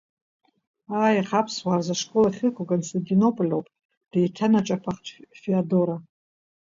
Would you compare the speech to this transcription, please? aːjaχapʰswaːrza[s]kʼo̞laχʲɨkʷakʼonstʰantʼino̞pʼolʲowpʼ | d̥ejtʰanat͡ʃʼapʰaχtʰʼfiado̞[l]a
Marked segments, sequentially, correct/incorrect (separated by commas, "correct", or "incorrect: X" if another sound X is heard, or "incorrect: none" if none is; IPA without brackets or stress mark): incorrect: ʂ, incorrect: ɾ